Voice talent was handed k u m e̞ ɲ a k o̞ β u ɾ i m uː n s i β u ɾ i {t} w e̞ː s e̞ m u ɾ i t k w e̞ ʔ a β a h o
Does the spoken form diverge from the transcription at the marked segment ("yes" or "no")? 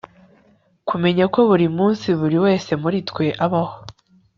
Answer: yes